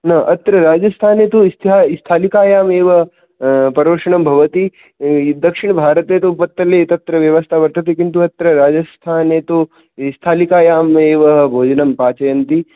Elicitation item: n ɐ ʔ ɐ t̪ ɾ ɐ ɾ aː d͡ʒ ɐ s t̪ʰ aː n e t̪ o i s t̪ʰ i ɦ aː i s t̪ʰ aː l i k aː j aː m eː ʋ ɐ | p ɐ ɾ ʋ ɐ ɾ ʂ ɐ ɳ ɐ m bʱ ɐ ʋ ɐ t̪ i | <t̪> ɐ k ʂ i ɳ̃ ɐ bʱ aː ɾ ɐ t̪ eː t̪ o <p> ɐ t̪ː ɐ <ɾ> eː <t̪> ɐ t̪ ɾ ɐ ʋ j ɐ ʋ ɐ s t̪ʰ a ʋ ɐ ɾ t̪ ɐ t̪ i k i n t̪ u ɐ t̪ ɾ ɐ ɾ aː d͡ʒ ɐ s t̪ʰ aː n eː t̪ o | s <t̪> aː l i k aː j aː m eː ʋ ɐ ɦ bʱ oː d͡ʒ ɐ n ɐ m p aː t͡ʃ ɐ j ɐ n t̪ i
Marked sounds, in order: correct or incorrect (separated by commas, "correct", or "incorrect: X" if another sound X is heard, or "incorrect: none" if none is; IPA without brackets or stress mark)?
incorrect: d̪, correct, incorrect: l, correct, incorrect: t̪ʰ